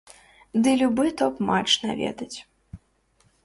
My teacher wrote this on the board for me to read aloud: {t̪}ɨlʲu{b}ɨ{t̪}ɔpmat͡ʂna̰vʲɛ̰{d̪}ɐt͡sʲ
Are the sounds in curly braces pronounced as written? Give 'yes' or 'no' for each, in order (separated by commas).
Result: no, yes, yes, yes